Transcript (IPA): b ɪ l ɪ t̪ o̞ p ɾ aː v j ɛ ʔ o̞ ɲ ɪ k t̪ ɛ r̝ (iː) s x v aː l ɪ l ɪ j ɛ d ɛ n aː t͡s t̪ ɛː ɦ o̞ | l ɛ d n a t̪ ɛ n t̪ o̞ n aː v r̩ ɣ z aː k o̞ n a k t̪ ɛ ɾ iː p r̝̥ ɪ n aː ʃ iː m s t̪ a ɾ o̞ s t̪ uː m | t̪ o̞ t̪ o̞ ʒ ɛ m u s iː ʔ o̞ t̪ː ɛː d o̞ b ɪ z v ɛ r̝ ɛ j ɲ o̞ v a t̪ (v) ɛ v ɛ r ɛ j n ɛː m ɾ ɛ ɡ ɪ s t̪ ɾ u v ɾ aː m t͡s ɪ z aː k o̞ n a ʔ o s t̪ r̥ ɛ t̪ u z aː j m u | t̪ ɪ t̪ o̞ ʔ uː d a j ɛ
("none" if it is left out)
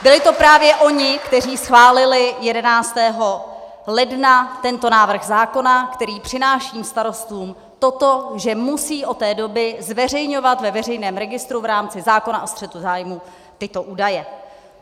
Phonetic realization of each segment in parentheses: iː, v

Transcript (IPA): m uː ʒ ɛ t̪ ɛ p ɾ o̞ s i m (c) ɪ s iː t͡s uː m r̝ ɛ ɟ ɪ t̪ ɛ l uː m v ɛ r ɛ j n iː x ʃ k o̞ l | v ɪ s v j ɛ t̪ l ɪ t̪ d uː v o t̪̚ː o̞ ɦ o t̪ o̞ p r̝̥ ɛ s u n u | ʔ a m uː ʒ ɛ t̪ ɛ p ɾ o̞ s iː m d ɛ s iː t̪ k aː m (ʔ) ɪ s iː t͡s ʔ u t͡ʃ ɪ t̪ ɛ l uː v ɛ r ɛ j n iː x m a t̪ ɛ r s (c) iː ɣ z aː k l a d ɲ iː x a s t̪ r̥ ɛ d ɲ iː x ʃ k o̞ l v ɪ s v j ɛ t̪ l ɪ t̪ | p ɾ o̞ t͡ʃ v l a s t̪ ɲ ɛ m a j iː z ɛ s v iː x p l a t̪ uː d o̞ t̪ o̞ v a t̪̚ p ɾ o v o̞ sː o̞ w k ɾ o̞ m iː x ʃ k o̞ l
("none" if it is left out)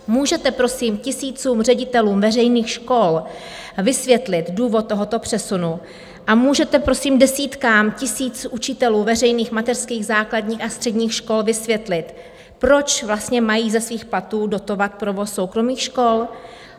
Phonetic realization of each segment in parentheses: c, c, k

